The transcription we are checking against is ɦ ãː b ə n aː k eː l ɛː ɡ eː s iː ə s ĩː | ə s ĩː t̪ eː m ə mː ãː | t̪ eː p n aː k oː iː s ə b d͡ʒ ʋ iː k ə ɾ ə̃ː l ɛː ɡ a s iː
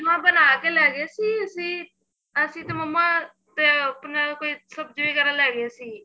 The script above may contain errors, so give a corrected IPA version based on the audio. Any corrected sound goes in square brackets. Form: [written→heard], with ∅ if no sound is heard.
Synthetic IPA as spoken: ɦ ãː b ə n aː k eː l ɛː ɡ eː s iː ə s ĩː | ə s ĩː t̪ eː m ə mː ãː | t̪ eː p n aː k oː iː s ə b d͡ʒ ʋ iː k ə ɾ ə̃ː l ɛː ɡ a s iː

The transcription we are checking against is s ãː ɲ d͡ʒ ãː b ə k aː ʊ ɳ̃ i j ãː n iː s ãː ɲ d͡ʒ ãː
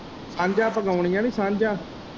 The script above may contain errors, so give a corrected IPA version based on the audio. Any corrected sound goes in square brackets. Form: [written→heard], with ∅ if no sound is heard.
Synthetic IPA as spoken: s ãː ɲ d͡ʒ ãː [b→p] ə [k→ɡ] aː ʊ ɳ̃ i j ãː n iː s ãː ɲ d͡ʒ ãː

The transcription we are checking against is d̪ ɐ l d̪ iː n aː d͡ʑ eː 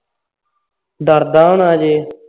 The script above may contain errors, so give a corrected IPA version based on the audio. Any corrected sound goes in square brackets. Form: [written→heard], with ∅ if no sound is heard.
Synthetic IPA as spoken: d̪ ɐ [l→ɾ] d̪ [iː→aː] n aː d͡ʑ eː

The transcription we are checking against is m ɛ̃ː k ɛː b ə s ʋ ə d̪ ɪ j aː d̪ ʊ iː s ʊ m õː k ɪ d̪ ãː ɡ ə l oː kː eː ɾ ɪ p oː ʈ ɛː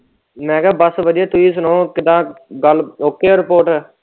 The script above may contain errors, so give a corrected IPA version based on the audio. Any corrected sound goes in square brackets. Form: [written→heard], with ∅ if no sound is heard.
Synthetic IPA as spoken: m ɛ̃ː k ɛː b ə s ʋ ə d̪ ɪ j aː [d̪→t̪] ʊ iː s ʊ [m→n] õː k ɪ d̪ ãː ɡ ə l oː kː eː ɾ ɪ p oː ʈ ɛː

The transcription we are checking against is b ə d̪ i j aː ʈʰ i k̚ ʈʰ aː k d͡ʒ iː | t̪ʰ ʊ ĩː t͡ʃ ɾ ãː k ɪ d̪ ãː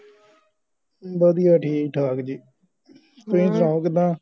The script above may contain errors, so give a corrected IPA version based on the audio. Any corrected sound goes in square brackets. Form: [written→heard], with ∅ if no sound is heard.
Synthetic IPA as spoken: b ə d̪ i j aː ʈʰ [i→iː] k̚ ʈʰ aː k d͡ʒ iː | [t̪ʰ→t̪] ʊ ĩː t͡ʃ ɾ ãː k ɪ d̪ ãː

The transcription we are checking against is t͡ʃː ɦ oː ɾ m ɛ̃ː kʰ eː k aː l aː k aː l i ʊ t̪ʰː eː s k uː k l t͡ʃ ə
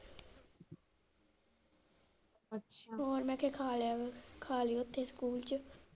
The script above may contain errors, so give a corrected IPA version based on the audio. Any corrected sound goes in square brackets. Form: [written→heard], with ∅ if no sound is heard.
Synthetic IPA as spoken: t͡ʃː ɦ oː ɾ m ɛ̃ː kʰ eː [k→kʰ] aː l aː [k→kʰ] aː l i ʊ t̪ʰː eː s k uː [k→∅] l t͡ʃ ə

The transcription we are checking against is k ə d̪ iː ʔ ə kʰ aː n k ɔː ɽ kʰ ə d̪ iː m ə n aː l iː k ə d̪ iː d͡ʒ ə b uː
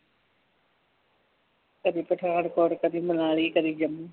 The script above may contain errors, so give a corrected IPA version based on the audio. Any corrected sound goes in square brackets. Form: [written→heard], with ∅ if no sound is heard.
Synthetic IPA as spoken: k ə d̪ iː [ʔ→p] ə [kʰ→ʈʰ] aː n k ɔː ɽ [kʰ→k] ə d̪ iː m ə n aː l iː k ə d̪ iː d͡ʒ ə [b→m] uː

